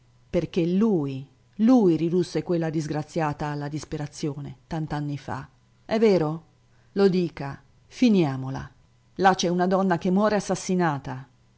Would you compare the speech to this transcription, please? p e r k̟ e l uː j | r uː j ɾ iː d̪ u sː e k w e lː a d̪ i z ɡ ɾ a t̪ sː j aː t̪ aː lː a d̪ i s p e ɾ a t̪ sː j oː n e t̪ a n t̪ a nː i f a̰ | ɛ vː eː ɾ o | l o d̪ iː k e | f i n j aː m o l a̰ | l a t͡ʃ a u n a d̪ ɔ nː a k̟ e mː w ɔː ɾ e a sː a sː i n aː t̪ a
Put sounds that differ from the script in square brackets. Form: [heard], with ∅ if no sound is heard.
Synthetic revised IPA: p e r k̟ e l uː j | [l] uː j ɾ [i] d̪ u sː e k w e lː a d̪ i z ɡ ɾ a t̪ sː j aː t̪ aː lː a d̪ i s p e ɾ a t̪ sː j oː n e t̪ a n t̪ a nː i f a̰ | ɛ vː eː ɾ o | l o d̪ iː k [a] | f i n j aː m o l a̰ | l a t͡ʃ [ɛ] u n a d̪ ɔ nː a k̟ e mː w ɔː ɾ e a sː a sː i n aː t̪ a